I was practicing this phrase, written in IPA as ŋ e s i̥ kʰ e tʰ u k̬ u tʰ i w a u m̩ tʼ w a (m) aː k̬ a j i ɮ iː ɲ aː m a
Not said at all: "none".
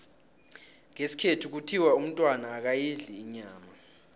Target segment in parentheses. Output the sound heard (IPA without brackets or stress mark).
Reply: n